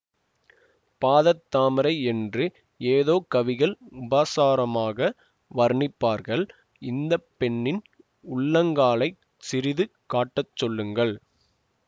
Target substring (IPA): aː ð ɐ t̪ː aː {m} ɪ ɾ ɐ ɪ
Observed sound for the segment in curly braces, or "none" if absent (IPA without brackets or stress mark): m